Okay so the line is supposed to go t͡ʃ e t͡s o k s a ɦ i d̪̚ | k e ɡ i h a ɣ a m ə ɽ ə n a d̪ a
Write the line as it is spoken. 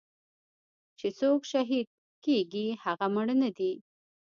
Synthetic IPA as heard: t͡ʃ e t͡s o k ʃ a ɦ i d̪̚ | k e ɡ i h a ɣ a m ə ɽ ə n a d̪ i